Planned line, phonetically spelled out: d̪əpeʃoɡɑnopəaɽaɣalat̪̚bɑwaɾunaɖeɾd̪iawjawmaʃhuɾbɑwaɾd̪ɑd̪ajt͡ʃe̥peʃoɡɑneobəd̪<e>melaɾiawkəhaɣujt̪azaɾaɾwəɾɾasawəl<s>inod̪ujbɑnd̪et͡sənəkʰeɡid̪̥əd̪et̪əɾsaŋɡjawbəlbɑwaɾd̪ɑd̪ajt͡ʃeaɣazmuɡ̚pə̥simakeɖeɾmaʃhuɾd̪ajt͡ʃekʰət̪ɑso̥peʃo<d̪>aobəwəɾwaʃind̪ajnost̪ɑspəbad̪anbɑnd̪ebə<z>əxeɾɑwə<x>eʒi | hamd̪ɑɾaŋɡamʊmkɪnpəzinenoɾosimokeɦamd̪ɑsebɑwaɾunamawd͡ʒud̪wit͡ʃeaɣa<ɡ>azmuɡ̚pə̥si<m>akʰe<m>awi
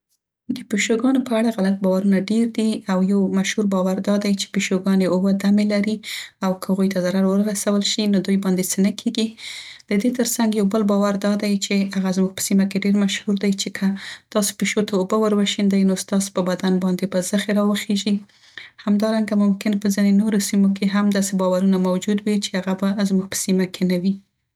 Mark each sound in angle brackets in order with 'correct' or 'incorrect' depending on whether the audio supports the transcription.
incorrect: a, incorrect: ʃ, incorrect: t̪, correct, correct, incorrect: b, correct, incorrect: n

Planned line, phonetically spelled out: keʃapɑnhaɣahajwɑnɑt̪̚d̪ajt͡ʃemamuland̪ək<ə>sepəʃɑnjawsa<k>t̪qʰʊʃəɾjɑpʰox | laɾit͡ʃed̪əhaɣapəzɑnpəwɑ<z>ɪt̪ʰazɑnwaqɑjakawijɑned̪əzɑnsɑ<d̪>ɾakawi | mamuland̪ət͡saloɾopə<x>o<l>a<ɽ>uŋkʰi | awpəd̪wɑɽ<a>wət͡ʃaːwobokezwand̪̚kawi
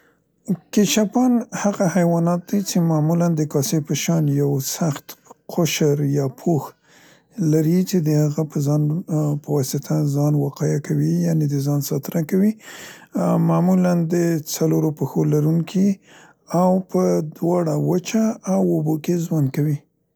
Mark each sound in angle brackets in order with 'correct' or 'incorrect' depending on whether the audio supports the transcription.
incorrect: ɑ, incorrect: x, incorrect: s, incorrect: t̪, correct, correct, incorrect: ɾ, correct

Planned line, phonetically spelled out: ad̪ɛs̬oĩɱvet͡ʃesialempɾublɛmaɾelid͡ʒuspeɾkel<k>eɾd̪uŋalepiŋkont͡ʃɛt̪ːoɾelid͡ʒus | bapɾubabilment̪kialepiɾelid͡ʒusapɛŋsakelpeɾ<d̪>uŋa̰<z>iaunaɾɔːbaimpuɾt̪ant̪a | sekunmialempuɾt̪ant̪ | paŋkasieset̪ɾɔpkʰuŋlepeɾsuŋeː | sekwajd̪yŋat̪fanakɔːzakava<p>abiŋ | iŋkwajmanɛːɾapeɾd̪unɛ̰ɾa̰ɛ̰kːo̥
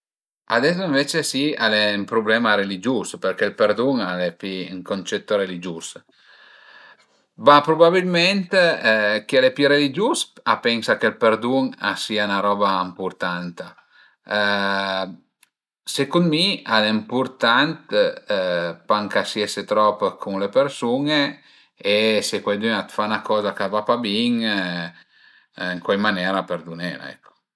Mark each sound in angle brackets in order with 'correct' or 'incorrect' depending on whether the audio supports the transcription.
incorrect: p, correct, incorrect: s, correct

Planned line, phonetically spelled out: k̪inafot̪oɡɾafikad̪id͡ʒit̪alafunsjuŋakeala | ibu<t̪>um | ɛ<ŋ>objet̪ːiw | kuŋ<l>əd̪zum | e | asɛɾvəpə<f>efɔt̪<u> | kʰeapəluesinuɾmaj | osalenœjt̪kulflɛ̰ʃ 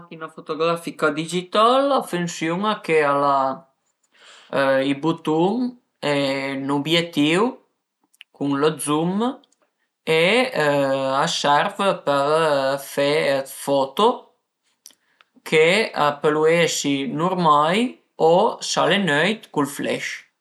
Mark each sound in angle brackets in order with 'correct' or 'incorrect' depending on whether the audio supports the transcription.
correct, incorrect: n, correct, correct, incorrect: o

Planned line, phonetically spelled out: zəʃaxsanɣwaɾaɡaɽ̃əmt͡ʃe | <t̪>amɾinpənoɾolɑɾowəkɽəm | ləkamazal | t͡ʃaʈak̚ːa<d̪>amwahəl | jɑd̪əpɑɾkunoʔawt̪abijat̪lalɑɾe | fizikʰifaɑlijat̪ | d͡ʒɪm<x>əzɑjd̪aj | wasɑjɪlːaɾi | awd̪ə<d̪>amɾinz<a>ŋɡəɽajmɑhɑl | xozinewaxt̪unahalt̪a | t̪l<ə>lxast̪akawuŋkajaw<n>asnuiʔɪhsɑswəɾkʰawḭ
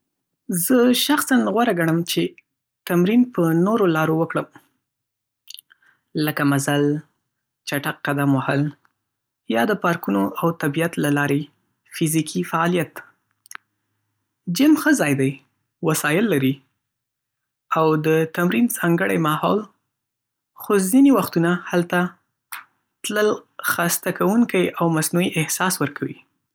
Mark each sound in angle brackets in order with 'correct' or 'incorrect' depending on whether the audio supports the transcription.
correct, correct, correct, incorrect: t̪, incorrect: ɑ, correct, incorrect: m

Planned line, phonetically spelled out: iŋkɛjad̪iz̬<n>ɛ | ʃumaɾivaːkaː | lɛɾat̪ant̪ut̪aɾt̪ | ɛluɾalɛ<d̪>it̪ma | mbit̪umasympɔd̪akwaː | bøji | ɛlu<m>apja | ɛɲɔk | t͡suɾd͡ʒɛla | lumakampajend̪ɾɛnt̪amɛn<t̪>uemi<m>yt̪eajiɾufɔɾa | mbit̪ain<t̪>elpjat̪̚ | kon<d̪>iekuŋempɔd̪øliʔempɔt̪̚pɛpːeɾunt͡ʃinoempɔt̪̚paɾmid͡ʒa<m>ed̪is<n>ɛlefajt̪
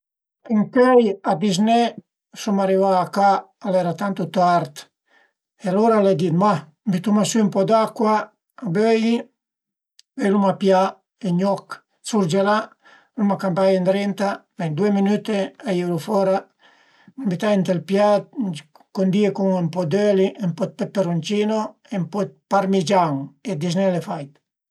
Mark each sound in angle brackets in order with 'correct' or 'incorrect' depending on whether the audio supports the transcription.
correct, correct, correct, incorrect: d̪, incorrect: n, correct, correct, incorrect: ŋ, correct

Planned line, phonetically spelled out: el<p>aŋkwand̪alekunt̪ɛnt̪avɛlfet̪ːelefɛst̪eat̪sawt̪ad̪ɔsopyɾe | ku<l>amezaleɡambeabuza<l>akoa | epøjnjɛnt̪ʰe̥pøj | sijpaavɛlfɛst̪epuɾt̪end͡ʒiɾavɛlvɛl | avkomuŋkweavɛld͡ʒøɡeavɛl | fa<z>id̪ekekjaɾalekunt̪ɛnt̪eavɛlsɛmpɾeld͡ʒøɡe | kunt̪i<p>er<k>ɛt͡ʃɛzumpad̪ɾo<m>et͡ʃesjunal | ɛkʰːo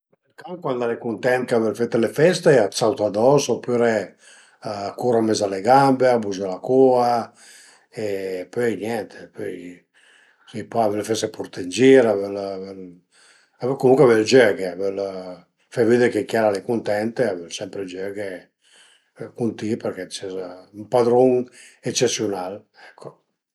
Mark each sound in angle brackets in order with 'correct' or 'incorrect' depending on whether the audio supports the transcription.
incorrect: k, incorrect: ɾ, correct, incorrect: v, correct, correct, incorrect: ŋ

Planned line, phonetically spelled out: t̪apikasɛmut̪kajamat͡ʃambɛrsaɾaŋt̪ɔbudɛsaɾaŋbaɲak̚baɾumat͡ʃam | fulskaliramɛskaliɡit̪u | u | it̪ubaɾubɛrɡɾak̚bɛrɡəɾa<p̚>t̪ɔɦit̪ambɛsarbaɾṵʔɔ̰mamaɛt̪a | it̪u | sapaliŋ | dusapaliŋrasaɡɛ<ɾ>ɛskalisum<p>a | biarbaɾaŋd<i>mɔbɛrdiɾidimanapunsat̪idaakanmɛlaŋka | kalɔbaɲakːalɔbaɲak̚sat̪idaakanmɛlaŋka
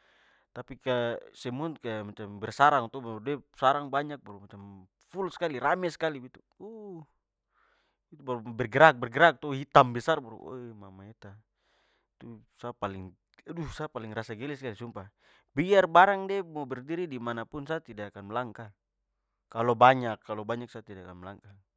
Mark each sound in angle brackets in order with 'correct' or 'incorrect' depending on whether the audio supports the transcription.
incorrect: k̚, incorrect: l, correct, incorrect: ɛ

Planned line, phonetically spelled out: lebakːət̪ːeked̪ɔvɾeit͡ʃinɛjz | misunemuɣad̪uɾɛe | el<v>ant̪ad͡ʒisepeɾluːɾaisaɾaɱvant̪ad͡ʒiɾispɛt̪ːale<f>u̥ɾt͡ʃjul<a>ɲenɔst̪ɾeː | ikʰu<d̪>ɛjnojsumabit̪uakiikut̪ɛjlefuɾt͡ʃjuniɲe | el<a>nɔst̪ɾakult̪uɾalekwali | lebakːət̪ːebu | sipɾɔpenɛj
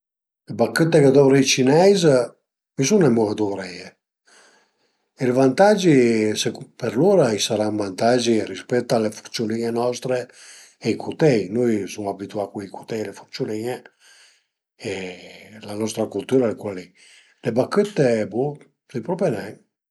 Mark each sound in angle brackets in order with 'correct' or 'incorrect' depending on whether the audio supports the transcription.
correct, correct, incorrect: i, incorrect: t̪, correct

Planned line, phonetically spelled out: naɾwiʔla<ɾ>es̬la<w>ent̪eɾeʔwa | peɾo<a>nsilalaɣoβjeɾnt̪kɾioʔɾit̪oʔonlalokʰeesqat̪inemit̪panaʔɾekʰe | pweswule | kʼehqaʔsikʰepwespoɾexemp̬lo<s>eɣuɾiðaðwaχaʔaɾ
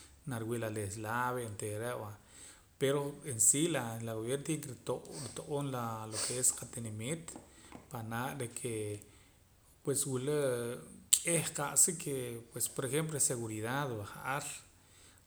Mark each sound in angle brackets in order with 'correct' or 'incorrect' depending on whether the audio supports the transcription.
incorrect: l, incorrect: β, incorrect: e, correct

